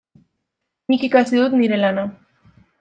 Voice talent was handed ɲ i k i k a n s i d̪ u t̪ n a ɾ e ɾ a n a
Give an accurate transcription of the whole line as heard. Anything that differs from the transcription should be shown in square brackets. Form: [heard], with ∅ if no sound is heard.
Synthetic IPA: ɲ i k i k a [∅] s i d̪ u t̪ n [i] ɾ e [l] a n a